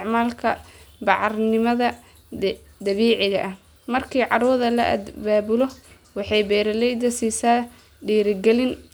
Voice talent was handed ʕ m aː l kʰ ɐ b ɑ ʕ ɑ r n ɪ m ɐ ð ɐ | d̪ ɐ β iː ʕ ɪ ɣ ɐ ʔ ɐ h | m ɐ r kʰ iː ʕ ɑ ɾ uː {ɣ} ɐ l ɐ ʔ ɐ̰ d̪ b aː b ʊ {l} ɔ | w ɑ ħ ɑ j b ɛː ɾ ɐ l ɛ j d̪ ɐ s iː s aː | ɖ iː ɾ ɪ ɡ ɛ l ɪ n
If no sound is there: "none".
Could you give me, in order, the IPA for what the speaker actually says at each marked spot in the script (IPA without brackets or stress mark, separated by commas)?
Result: ð, l